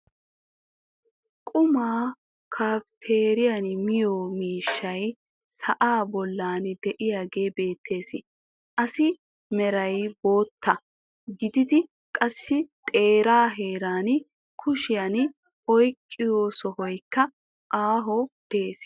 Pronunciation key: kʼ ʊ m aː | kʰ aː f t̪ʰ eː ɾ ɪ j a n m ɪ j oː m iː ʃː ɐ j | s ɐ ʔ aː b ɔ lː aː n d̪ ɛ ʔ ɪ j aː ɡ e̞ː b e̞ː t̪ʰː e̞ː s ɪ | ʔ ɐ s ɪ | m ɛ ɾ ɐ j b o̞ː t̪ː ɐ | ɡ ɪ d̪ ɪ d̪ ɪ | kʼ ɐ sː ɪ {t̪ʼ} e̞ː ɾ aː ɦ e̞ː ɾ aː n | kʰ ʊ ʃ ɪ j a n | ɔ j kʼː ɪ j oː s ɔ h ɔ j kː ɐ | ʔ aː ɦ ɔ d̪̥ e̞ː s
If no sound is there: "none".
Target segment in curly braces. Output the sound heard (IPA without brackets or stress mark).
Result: t̪ʼ